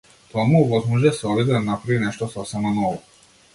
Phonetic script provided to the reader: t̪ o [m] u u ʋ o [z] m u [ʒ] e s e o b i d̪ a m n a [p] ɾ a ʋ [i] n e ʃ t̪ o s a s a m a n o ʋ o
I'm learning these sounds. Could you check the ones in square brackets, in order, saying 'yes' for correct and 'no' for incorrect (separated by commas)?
yes, yes, yes, yes, yes